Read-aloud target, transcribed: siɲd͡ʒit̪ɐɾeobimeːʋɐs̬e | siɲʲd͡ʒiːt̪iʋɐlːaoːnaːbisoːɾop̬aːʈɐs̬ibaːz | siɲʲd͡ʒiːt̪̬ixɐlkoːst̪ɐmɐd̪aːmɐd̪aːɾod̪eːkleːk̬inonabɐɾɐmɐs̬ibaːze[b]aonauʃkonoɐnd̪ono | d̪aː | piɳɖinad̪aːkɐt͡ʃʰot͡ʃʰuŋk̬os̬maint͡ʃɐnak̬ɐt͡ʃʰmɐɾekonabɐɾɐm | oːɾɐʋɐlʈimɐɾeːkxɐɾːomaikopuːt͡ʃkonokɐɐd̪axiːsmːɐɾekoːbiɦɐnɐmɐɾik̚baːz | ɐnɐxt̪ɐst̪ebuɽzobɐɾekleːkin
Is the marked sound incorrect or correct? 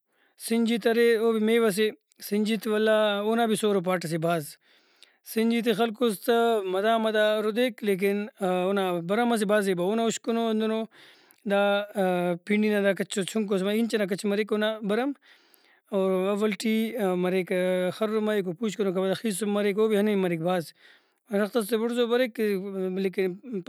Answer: correct